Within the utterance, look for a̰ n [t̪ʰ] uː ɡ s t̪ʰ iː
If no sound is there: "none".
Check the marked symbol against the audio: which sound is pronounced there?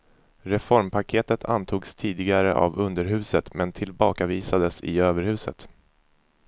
t̪ʰ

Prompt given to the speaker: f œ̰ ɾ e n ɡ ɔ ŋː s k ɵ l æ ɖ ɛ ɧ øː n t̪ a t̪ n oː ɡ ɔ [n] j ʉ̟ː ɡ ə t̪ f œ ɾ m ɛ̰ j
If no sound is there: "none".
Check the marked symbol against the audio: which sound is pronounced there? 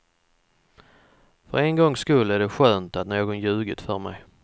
n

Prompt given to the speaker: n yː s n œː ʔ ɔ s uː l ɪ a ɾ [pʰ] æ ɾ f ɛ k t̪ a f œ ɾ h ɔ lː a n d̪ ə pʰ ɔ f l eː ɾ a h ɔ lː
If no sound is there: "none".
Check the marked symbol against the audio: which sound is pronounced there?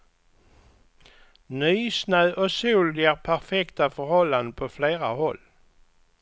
pʰ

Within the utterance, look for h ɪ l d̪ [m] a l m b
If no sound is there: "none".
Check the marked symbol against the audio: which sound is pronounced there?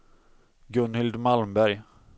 m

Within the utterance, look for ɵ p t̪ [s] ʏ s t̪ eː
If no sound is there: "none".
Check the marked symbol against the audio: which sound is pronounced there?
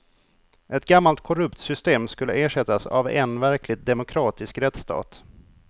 s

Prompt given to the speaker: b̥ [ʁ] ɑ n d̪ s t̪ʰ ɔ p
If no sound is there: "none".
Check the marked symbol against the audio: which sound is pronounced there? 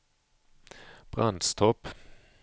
ʁ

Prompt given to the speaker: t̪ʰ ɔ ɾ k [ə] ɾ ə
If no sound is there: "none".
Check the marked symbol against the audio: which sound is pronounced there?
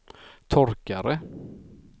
a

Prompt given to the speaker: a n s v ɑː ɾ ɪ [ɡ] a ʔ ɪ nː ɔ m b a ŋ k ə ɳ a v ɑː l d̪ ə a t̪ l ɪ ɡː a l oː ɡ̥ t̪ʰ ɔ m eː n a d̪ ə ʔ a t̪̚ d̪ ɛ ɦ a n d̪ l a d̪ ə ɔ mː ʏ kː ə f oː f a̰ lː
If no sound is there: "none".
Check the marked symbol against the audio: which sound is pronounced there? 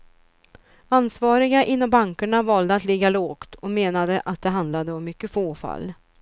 ɡ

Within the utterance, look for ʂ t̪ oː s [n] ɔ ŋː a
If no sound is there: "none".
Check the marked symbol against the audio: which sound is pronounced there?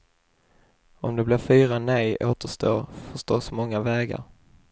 m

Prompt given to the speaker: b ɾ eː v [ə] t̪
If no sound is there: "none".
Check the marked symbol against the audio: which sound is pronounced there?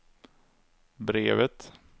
ə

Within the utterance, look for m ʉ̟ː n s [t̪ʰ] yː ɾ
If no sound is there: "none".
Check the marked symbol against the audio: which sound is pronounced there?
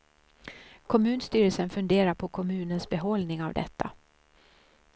t̪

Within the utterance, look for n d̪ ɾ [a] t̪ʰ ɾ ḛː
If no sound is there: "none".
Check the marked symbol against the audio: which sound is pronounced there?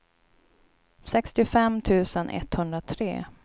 a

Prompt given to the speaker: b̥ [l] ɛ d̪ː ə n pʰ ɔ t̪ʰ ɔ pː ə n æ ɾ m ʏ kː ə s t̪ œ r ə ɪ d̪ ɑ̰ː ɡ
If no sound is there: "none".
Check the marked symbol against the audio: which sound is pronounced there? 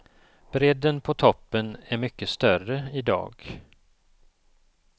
ɾ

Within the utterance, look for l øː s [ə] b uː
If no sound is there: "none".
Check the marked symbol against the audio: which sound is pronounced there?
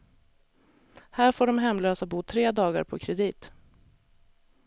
a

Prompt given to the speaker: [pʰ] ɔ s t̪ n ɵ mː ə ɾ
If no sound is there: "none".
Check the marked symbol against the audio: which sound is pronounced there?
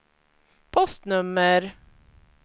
pʰ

